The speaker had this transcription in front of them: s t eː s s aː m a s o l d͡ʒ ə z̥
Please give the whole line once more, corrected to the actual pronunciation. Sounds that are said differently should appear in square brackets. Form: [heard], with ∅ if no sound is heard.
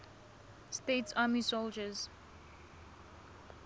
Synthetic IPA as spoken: s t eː [t] s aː m [i] s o l d͡ʒ ə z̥